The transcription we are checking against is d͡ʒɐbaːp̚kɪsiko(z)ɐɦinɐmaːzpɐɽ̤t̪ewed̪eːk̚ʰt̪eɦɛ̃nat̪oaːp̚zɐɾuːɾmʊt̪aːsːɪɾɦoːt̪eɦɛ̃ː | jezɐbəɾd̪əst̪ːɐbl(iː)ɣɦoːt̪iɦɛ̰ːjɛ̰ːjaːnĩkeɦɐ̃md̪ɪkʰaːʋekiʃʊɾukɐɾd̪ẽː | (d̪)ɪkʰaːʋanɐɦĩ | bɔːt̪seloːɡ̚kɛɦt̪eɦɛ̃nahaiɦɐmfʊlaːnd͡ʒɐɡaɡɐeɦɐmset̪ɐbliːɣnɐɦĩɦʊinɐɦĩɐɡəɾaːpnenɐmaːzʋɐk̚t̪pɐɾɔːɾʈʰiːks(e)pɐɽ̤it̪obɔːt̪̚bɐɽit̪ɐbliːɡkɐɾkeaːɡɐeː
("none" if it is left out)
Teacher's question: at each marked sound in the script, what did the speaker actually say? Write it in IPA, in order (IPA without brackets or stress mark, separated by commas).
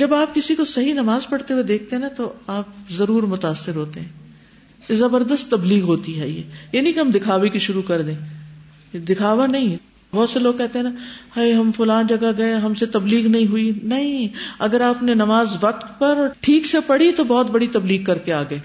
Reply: s, iː, d̪, e